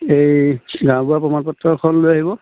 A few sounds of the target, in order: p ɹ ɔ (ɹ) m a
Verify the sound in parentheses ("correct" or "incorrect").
incorrect